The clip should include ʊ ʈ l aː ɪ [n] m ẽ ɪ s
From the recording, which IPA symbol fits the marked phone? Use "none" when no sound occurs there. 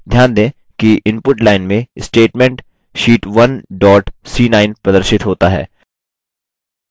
n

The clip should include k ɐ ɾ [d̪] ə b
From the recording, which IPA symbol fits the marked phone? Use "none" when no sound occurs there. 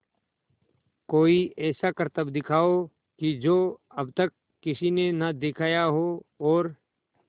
t̪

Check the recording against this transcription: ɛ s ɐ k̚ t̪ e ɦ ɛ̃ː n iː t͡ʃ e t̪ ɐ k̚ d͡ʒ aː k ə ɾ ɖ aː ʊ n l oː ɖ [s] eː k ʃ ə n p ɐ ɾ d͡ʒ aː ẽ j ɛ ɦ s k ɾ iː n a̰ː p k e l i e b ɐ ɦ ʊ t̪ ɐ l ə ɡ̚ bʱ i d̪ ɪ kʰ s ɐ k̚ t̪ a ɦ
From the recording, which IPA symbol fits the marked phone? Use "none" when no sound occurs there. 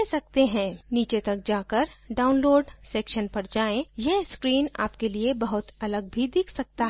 s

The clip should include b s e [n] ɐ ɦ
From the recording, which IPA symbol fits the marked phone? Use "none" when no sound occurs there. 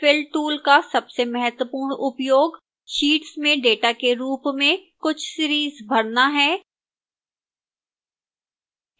m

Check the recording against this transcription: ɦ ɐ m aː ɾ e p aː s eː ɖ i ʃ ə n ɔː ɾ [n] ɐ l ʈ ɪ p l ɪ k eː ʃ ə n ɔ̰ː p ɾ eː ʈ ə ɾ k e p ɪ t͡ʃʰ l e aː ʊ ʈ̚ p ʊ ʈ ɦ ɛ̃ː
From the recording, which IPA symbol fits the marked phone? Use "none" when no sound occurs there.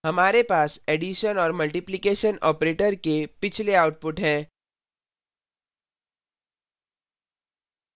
m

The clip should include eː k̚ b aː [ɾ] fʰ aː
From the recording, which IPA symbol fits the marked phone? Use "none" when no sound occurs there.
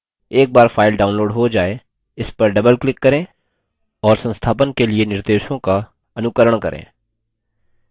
ɾ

